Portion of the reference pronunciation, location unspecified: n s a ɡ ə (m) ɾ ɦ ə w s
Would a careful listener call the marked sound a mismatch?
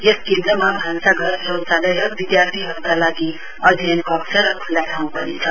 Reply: yes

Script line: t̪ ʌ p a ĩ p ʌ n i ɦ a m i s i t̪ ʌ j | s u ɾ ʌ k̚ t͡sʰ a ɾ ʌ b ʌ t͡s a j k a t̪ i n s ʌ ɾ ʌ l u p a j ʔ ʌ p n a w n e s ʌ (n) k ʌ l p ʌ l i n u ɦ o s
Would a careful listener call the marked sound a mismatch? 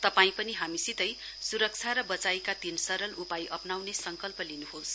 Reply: yes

